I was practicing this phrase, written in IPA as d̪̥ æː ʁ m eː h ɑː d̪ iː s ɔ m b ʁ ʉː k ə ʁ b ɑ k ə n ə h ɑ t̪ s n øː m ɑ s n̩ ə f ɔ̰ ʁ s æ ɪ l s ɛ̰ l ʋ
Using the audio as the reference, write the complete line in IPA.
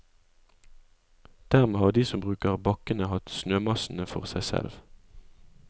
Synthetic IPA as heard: d̪̥ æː ʁ m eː h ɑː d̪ iː s ɔ m b ʁ ʉː k ə ʁ b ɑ k ə n ə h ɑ t̪ s n øː m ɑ s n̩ ə f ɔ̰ ʁ s æ ɪ s ɛ̰ l ʋ

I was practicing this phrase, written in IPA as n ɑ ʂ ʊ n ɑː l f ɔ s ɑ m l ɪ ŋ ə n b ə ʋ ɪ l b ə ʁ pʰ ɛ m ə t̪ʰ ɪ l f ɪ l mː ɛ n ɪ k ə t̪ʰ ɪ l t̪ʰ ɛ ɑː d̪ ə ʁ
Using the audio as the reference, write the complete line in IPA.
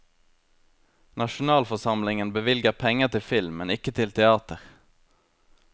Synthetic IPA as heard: n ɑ ʃ ʊ n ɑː l f ɔ s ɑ m l ɪ ŋ ə n b ə ʋ ɪ l ɡ ə ʁ pʰ ɛ ŋ ə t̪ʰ ɪ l f ɪ l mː ɛ n ɪ k ə t̪ʰ ɪ l t̪ʰ ɛ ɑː t̪ ə ʁ

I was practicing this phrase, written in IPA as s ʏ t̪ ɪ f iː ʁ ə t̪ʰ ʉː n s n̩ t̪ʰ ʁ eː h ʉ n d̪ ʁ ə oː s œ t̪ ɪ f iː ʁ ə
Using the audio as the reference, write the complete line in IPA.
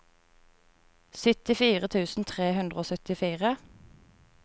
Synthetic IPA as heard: s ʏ t̪ ɪ f iː ʁ ə t̪ʰ ʉː s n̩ t̪ʰ ʁ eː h ʉ n d̪ ʁ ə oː s œ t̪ ɪ f iː ʁ ə

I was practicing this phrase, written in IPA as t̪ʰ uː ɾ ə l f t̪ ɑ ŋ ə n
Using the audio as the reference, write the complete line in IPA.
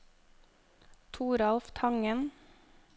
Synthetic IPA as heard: t̪ʰ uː ɾ ɑ l f t̪ʰ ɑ ŋ ə n

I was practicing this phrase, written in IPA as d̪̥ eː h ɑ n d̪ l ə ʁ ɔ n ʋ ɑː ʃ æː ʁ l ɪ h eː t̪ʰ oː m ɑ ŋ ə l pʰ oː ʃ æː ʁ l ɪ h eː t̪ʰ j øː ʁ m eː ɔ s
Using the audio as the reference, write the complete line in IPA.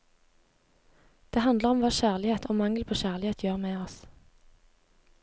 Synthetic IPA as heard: d̪̥ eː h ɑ n d̪ l ə ʁ ɔ m ʋ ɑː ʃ æː ʁ l ɪ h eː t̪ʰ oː m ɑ ŋ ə l pʰ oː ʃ æː ʁ l ɪ h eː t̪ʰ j øː ʁ m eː ɔ s

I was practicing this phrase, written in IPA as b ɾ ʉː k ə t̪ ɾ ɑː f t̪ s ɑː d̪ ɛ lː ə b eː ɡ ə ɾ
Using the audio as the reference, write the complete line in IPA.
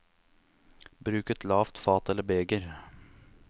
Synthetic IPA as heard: b ɾ ʉː k ə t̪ l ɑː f t̪ f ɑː t̪ ɛ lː ə b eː ɡ ə ɾ

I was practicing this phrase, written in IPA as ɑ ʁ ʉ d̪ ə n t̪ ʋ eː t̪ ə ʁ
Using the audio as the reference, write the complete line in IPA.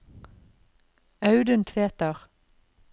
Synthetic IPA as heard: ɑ ʉ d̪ ə n t̪ʰ ʋ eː t̪ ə ʁ

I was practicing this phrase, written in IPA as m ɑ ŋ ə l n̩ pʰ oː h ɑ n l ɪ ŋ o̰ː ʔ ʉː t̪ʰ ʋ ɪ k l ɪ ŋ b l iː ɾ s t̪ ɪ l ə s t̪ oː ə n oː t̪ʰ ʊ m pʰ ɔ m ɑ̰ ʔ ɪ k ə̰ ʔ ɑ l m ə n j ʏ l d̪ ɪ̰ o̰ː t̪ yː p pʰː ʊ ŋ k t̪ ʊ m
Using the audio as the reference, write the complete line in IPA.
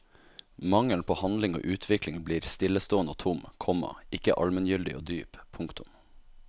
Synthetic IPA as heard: m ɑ ŋ ə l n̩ pʰ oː h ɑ n l ɪ ŋ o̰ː ʔ ʉː t̪ʰ ʋ ɪ k l ɪ ŋ b l iː ɾ s t̪ ɪ l ə s t̪ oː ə n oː t̪ʰ ʊ m kʰ ɔ m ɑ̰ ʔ ɪ k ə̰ ʔ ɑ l m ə n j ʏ l d̪ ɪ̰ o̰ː d̪ yː p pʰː ʊ ŋ k t̪ ʊ m

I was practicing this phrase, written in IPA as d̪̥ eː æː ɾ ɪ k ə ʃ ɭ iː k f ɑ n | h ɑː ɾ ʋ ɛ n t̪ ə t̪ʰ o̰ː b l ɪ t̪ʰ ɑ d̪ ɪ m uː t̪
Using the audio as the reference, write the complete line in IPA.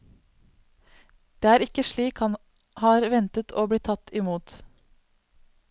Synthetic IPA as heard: d̪̥ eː æː ɾ ɪ k ə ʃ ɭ iː k h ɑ n | h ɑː ɾ ʋ ɛ n t̪ ə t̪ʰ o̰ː b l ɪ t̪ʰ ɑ t̪ ɪ m uː t̪

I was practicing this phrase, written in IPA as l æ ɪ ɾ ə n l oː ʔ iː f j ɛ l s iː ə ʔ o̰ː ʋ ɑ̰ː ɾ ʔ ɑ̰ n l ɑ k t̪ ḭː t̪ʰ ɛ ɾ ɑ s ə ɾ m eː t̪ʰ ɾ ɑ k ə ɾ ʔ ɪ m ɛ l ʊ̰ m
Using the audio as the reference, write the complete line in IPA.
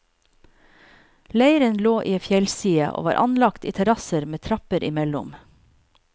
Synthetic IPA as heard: l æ ɪ ɾ ə n l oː ʔ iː f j ɛ l s iː ə ʔ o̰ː ʋ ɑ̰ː ɾ ʔ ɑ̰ n l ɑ k t̪ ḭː t̪ʰ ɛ ɾ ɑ s ə ɾ m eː t̪ʰ ɾ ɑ p ə ɾ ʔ ɪ m ɛ l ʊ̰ m

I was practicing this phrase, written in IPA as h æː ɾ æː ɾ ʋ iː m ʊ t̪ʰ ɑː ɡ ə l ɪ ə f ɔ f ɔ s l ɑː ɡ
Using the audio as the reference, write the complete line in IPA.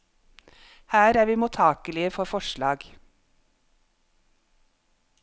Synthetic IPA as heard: h æː ɾ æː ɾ ʋ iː m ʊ t̪ʰ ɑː k ə l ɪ ə f ɔ f ɔ ʃ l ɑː ɡ

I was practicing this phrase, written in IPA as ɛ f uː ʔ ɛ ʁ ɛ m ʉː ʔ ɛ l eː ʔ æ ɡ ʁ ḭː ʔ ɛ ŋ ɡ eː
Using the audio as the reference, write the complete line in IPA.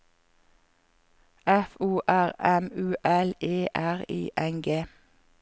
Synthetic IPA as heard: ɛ f uː ʔ æ ʁ ɛ m ʉː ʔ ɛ l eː ʔ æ ʁ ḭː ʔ ɛ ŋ ɡ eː

